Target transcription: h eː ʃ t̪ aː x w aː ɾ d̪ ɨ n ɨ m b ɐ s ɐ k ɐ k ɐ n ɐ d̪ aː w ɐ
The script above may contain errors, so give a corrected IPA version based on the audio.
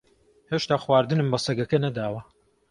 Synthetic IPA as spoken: h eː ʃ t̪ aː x w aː ɾ d̪ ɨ n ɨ m b ɐ s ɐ ɡ ɐ k ɐ n ɐ d̪ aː w ɐ